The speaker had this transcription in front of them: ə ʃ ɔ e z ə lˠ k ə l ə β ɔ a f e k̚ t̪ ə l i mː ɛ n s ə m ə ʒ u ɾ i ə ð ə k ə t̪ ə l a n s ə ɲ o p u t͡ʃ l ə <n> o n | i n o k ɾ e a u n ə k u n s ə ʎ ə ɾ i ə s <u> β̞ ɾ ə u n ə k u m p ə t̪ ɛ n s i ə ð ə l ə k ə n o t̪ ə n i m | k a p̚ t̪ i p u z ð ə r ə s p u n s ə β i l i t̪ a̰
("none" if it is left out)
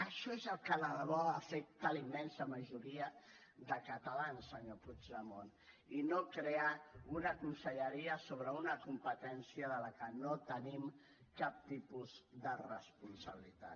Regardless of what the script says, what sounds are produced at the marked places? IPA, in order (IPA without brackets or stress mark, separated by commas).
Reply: m, o